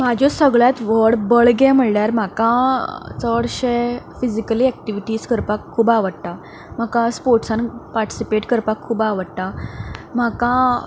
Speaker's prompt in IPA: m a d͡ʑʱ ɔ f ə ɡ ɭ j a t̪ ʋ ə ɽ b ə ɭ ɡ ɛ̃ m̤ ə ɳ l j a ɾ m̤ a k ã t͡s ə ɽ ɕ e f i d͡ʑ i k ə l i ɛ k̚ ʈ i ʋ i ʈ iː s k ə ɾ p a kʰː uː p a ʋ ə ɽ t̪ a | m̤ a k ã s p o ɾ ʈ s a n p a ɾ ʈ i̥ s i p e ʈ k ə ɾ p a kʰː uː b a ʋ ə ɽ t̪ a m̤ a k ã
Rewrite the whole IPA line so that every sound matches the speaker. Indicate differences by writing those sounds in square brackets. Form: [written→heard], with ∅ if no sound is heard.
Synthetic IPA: m a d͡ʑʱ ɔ [f→s] ə ɡ ɭ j a t̪ ʋ ə ɽ b ə ɭ ɡ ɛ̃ m̤ ə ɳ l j a ɾ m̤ a k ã t͡s ə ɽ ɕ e f i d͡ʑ i k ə l i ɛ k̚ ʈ i ʋ i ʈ iː s k ə ɾ p a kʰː uː [p→b] a ʋ ə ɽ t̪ a | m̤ a k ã s p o ɾ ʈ s a n p a ɾ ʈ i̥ s i p e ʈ k ə ɾ p a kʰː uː b a ʋ ə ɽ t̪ a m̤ a k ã